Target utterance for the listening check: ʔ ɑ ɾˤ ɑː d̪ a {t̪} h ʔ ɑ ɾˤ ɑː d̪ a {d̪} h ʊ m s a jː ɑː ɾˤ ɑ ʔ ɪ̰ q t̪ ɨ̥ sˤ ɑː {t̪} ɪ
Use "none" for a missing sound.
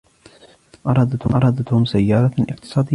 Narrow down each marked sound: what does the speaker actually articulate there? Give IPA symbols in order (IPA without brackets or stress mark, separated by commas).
t̪, t̪, d̪